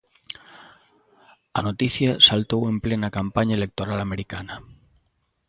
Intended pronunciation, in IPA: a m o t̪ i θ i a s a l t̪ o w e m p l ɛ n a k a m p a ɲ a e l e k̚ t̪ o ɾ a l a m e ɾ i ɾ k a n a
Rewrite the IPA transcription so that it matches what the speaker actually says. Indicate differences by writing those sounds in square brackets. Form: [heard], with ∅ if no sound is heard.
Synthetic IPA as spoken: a [n] o t̪ i θ [j] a s a l t̪ o w e m p l [e] n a k a m p a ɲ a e l e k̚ t̪ o ɾ a l a m e ɾ i [∅] k a n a